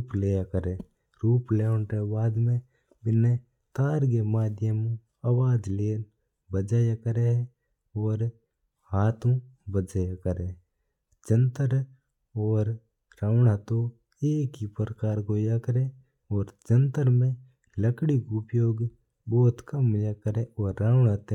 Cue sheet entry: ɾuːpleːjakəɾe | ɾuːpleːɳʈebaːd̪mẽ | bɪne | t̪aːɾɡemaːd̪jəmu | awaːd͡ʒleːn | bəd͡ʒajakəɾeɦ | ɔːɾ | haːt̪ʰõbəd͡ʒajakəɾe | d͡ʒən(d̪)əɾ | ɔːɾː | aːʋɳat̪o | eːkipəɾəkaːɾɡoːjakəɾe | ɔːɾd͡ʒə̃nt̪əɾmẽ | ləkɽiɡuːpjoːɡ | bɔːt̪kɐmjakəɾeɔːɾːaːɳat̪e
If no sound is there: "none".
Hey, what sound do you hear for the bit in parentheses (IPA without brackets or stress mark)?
t̪